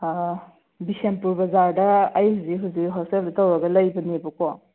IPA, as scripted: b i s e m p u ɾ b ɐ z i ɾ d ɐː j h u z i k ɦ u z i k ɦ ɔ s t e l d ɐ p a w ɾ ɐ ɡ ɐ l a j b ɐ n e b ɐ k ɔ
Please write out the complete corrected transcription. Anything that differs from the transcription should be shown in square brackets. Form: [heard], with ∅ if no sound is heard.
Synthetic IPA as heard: b i s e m p u ɾ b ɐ z [a] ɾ d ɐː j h u z i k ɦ u z i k ɦ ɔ s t e l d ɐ [t] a w ɾ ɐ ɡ ɐ l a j b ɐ n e b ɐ k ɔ